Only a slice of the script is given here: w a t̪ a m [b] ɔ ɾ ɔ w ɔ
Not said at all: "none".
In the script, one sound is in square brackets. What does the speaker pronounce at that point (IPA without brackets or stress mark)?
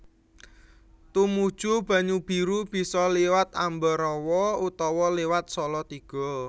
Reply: b